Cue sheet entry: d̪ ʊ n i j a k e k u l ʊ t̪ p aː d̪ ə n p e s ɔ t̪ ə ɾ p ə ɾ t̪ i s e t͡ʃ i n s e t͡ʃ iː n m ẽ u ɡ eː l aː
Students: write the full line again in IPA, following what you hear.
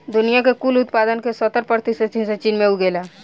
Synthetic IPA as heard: d̪ ʊ n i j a k e k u l ʊ t̪ p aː d̪ ə n k e s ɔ t̪ ə ɾ p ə ɾ t̪ i s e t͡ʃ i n s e t͡ʃ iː n m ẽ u ɡ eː l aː